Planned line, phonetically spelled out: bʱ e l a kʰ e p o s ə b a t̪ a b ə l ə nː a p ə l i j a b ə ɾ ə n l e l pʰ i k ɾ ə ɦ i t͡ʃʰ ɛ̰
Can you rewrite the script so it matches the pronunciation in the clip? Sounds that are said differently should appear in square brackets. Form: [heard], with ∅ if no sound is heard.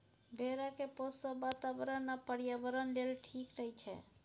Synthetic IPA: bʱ e [ɾ] a [k] e p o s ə b a t̪ a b ə [ɾ] ə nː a p ə [ɾ] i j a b ə ɾ ə n l e l [ʈʰ] i k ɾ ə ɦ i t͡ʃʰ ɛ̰

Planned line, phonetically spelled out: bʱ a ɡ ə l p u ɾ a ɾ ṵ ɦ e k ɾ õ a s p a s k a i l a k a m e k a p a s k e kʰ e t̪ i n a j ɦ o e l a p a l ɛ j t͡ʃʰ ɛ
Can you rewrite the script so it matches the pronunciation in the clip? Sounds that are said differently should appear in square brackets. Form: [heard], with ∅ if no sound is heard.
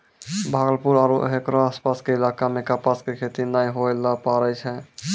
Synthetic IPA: bʱ a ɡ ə l p u ɾ a ɾ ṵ ɦ e k ɾ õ a s p a s k [e] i l a k a m e k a p a s k e kʰ e t̪ i n a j ɦ o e l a p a [ɾ] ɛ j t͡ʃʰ ɛ

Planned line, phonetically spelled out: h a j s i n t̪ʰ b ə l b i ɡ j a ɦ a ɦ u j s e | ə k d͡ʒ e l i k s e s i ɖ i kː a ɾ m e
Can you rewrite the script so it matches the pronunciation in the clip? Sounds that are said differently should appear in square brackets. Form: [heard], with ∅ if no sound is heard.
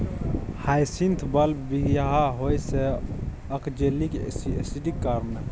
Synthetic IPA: h a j s i n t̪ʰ b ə l b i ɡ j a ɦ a ɦ [o] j s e | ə k d͡ʒ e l i k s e s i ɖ i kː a ɾ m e

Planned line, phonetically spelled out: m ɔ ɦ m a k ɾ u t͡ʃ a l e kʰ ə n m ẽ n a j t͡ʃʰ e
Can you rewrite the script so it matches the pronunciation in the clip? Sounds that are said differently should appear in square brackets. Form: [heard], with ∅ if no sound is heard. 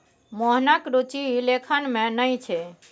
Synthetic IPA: m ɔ ɦ [n] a k ɾ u t͡ʃ [i] l e kʰ ə n m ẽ n [ə] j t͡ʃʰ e

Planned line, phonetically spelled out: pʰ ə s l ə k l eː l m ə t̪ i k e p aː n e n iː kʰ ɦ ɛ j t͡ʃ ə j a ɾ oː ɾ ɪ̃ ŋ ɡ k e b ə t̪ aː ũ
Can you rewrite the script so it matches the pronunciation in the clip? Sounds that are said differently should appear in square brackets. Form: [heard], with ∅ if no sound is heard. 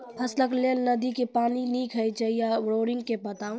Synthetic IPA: pʰ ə s l ə k l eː l [n] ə [d̪] i k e p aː n [i] n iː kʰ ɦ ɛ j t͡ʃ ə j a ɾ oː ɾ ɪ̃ ŋ ɡ k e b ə t̪ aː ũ

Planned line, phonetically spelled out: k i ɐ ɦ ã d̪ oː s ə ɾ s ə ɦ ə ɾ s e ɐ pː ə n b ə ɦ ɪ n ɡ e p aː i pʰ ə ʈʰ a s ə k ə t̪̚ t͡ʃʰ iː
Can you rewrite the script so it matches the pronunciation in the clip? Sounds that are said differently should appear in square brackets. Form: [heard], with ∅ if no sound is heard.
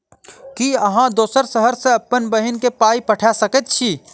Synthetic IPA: k i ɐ ɦ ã d̪ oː s ə ɾ s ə ɦ ə ɾ s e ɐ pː ə n b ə ɦ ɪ n [k] e p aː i [p] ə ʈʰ a s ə k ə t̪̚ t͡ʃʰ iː

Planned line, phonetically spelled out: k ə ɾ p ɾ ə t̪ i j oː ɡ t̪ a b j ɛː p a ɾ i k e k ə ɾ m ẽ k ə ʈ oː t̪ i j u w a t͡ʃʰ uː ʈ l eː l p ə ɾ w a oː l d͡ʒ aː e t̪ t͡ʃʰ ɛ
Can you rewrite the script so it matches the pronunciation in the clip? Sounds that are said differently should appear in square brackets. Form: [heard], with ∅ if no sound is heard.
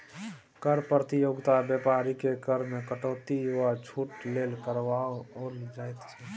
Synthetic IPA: k ə ɾ p ɾ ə t̪ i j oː ɡ t̪ a b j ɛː p a ɾ i k e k ə ɾ m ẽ k ə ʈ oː t̪ i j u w a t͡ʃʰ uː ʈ l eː l [k] ə ɾ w a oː l d͡ʒ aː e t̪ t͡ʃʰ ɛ

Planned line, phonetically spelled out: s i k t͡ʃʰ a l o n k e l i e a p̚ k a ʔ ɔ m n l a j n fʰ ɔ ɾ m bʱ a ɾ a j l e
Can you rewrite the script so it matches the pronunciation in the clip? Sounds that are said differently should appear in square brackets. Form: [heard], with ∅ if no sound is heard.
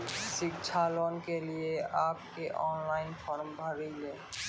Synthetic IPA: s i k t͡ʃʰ a l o n k e l i e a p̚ k [e] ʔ ɔ [∅] n l a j n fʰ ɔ ɾ m bʱ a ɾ [i] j l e

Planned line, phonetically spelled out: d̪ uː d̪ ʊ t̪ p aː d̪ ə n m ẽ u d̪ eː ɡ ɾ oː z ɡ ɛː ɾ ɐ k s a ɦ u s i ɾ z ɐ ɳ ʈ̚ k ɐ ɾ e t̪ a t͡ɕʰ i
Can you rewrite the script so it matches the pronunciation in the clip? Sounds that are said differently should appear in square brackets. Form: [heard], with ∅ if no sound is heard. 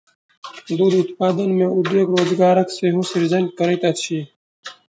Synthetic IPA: d̪ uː d̪ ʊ t̪ p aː d̪ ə n m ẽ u d̪ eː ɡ ɾ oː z ɡ [aː] ɾ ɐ k s [e] ɦ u s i ɾ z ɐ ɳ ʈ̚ k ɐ ɾ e t̪ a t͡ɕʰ i

